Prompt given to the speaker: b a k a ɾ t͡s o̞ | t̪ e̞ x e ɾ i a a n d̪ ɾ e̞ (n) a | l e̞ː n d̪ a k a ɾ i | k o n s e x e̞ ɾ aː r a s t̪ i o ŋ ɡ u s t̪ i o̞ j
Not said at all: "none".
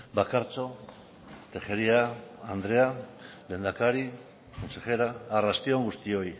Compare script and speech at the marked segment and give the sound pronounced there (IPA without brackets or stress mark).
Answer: none